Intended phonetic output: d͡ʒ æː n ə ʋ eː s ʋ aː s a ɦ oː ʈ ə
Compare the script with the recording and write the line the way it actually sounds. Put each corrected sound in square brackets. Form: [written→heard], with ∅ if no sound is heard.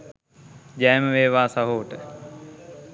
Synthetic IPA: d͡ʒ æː [n→m] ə ʋ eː [s→∅] ʋ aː s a ɦ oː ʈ ə